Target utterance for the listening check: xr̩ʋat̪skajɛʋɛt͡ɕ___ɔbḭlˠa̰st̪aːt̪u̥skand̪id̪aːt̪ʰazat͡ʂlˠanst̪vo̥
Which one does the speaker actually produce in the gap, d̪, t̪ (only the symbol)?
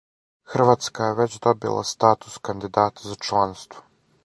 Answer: d̪